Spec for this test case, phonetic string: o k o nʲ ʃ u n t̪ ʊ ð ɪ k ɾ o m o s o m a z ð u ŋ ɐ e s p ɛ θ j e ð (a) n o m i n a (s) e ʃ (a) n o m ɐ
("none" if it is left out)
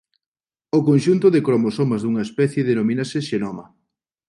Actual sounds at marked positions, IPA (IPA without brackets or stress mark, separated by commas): e, s, e